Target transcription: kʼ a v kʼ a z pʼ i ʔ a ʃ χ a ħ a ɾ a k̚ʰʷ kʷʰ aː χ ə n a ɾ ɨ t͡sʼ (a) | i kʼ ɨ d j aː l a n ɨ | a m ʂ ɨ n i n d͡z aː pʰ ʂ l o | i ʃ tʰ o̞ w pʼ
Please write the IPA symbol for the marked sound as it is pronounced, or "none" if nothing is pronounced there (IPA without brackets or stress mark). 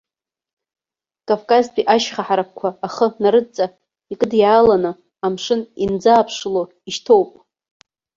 a